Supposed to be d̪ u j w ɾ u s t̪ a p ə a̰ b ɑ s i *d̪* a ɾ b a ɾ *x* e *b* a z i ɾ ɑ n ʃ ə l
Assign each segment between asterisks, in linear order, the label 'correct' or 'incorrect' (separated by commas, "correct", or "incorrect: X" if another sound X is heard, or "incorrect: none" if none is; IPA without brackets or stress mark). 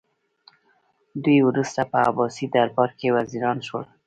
correct, incorrect: k, incorrect: w